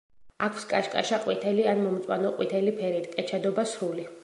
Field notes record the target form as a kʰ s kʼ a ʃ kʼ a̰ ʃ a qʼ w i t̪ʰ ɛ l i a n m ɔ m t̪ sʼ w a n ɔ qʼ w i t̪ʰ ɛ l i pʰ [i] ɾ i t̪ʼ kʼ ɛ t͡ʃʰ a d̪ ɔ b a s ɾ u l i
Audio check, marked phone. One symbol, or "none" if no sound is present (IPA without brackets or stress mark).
ɛ